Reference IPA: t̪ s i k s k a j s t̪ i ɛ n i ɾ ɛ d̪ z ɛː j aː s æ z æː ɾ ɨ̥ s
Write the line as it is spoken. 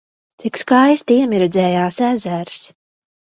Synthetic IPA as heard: t̪ s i k s k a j s t̪ i ɛ m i ɾ ɛ d̪ z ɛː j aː s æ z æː ɾ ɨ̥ s

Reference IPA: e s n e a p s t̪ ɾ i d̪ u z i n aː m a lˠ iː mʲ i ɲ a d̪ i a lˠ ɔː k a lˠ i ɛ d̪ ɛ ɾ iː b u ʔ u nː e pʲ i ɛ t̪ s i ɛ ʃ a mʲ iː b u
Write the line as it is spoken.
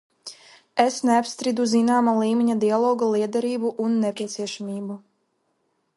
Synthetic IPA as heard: e s n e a p s t̪ ɾ i d̪ u z i n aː m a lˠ iː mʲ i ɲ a d̪ i a lˠ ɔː ɡ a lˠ i ɛ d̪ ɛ ɾ iː b u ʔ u nː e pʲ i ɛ t̪ s i ɛ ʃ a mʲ iː b u

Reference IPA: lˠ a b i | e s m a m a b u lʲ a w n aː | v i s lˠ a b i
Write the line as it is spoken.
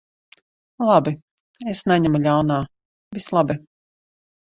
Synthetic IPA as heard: lˠ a b i | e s n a ɲ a m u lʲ a w n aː | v i s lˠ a b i

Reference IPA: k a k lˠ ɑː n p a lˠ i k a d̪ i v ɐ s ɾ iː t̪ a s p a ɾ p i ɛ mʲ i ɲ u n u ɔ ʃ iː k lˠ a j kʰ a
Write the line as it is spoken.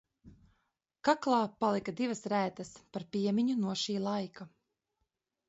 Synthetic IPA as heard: k a k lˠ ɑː p a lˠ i k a d̪ i v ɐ s ɾ æː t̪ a s p a ɾ p i ɛ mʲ i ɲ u n u ɔ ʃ iː lˠ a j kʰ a

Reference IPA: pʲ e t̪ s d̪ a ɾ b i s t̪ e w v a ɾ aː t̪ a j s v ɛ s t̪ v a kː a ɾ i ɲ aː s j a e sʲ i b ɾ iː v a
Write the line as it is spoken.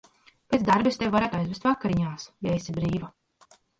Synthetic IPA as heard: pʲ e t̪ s d̪ a ɾ b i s t̪ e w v a ɾ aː t̪ a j z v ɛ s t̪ v a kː a ɾ i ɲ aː s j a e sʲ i b ɾ iː v a

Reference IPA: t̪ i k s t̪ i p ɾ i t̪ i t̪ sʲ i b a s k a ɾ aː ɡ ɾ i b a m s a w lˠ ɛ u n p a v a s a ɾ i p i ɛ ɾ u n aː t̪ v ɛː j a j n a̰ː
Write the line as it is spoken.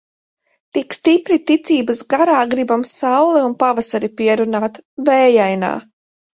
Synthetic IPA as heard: t̪ i k s t̪ i p ɾ i t̪ i t̪ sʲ iː b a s ɡ a ɾ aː ɡ ɾ i b a m s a w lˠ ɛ u n p a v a s a ɾ i p i ɛ ɾ u n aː t̪ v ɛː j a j n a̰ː

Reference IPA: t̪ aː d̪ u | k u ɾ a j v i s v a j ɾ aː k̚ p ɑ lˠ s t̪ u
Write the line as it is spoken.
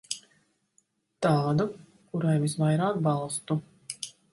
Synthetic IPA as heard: t̪ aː d̪ u | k u ɾ a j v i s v a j ɾ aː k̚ b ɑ lˠ s t̪ u

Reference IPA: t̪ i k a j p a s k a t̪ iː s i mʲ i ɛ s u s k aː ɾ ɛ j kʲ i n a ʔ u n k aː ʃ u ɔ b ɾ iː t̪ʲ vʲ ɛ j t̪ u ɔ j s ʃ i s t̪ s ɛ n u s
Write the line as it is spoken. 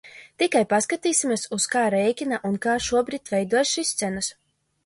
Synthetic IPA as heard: t̪ i k a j p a s k a t̪ iː s i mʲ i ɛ s u s k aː ɾ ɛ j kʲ i n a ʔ u n k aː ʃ u ɔ b ɾ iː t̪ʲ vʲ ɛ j d̪ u ɔ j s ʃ i s t̪ s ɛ n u s

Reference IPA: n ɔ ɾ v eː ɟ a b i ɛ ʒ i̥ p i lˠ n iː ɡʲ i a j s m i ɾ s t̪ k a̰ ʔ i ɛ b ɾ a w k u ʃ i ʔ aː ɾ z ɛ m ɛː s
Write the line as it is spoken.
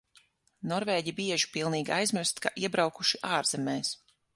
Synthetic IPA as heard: n ɔ ɾ v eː ɟ i b i ɛ ʒ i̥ p i lˠ n iː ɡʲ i a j z m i ɾ s t̪ k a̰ ʔ i ɛ b ɾ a w k u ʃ i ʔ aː ɾ z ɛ m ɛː s

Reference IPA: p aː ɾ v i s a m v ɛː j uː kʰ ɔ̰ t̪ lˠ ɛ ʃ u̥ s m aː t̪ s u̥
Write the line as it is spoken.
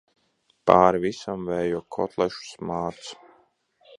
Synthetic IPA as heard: p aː ɾ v i s a m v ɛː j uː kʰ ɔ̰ t̪ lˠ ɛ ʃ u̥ s m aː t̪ s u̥

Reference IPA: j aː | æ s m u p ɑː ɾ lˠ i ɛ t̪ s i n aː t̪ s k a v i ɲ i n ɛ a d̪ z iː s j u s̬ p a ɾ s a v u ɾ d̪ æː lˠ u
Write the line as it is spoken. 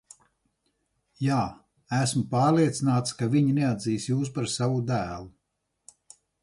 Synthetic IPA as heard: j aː | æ s m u p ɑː ɾ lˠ i ɛ t̪ s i n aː t̪ s k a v i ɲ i n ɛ a d̪ z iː s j uː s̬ p a ɾ s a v u d̪ æː lˠ u

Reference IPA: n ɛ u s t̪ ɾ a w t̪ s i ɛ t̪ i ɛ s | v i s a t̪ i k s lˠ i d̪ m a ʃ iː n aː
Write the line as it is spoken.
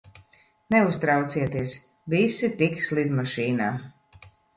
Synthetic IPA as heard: n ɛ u s t̪ ɾ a w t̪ s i ɛ t̪ i ɛ s | v i s i t̪ i k s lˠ i d̪ m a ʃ iː n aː

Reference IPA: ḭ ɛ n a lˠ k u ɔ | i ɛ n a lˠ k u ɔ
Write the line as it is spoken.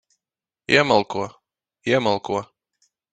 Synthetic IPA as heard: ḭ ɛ m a lˠ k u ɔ | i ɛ m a lˠ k u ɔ

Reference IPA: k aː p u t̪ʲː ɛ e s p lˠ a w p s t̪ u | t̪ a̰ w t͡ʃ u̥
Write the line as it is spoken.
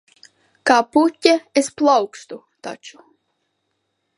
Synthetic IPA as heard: k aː p u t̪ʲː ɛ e s p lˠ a w k s t̪ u | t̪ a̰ t͡ʃ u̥

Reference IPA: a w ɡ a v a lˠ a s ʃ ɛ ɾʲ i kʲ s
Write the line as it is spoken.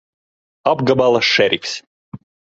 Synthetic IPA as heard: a b ɡ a b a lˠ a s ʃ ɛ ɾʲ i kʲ s

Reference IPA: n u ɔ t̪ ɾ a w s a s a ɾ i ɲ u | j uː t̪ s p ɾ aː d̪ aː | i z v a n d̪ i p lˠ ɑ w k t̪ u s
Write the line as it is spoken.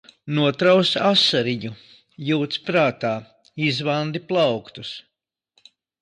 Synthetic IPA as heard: n u ɔ t̪ ɾ a w s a s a ɾ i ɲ u | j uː t̪ s p ɾ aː t̪ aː | i z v a n d̪ i p lˠ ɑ w k t̪ u s

